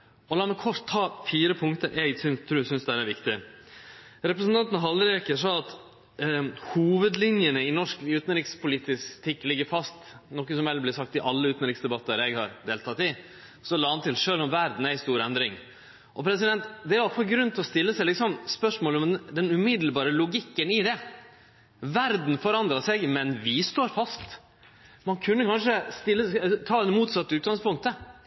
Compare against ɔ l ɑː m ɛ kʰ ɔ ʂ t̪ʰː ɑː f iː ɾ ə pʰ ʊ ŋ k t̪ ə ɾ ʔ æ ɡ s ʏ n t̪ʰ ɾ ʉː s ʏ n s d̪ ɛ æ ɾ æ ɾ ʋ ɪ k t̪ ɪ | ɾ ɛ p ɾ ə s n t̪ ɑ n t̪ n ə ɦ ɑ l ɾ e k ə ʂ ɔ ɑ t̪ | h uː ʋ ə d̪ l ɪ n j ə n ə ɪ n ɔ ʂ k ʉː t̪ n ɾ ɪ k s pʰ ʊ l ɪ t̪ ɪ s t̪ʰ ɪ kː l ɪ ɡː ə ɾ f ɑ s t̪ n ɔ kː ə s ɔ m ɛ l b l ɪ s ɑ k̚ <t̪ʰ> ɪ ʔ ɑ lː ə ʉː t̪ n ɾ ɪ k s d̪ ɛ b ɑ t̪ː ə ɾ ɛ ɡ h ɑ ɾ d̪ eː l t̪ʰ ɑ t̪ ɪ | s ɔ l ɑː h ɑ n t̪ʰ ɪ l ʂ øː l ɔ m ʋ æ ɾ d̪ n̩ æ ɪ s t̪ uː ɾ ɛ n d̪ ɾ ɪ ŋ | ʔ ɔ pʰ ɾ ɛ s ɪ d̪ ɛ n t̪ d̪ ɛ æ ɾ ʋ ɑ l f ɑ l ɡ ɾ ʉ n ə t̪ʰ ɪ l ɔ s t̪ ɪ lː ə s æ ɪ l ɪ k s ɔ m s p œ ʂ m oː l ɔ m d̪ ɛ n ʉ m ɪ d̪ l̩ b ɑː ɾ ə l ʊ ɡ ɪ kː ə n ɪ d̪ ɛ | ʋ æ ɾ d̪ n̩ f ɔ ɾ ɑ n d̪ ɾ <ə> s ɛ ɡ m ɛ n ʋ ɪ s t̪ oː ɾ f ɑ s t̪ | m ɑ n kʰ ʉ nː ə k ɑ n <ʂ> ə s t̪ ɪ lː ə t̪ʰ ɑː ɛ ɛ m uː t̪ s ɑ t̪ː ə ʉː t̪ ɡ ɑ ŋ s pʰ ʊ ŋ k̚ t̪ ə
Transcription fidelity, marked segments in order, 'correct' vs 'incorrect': incorrect: t̪, incorrect: ɑ, correct

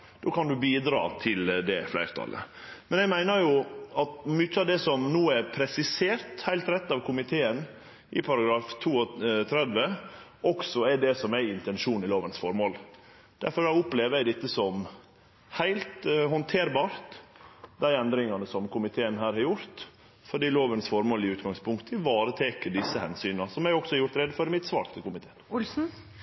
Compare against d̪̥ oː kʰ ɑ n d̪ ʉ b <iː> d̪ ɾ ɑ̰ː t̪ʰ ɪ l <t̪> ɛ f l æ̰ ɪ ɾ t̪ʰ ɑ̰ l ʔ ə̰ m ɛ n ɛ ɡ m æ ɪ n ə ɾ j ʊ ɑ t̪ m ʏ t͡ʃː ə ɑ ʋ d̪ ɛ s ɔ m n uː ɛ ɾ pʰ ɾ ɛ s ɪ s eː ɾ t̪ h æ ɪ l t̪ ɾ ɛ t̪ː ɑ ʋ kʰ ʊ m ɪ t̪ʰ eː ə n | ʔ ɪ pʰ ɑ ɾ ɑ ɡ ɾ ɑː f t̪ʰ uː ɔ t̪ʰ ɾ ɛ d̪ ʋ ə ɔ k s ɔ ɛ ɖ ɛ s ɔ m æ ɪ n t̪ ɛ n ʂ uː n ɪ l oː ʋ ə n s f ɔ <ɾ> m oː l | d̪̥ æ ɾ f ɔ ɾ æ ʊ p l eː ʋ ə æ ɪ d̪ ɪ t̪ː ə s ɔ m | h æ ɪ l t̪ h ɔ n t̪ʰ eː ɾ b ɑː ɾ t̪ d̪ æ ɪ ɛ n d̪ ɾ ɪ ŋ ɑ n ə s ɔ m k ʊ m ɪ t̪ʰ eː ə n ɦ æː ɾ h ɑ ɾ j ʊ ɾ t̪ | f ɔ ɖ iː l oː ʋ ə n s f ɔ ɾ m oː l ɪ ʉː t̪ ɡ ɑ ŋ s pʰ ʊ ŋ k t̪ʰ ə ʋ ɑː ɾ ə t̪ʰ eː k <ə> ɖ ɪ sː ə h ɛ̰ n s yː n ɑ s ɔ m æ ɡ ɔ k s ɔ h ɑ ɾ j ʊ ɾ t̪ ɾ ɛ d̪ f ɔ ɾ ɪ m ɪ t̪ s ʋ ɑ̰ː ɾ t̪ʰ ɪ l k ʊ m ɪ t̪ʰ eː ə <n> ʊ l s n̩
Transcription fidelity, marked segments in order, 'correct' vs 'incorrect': correct, incorrect: d̪, correct, correct, correct

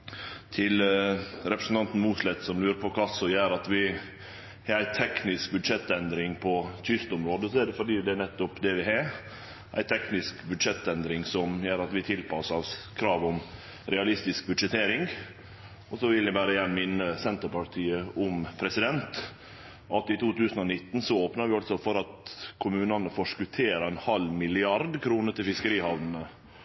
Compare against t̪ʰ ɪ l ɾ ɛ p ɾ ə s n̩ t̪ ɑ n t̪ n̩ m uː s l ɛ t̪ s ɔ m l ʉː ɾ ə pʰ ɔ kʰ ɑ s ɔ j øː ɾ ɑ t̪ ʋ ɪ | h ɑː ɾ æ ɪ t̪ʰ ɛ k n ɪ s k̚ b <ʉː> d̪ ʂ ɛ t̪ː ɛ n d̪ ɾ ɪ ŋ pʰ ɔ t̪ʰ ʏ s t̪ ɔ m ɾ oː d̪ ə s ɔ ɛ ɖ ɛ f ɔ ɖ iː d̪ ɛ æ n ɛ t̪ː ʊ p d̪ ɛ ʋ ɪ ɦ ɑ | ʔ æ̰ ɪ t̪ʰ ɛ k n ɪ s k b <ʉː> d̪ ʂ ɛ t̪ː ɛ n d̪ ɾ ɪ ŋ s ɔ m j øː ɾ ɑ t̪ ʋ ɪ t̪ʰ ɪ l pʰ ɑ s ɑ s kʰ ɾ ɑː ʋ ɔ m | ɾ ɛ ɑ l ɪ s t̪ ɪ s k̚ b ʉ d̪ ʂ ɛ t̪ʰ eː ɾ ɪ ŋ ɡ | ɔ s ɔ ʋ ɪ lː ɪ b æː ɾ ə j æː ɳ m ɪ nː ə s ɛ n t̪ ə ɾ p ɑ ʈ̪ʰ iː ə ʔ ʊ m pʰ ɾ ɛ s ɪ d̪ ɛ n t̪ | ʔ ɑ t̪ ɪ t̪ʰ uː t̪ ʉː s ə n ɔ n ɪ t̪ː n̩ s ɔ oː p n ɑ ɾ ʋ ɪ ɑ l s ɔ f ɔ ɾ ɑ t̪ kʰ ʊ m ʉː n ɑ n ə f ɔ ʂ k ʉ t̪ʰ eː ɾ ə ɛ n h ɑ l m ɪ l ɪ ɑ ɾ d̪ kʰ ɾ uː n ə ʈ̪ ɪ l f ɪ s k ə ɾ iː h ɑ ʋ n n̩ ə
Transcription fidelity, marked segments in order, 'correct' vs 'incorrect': incorrect: ʉ, incorrect: ʉ

